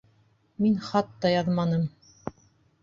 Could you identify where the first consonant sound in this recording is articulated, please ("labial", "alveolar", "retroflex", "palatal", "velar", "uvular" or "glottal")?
labial